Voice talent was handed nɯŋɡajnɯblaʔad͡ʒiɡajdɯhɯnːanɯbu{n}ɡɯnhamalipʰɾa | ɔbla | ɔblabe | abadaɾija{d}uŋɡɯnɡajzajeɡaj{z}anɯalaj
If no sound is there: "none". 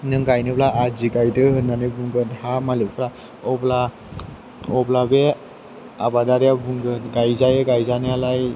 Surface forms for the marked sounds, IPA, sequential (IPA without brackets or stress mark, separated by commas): ŋ, b, z